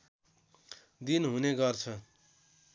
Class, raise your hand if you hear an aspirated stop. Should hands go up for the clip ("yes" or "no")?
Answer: yes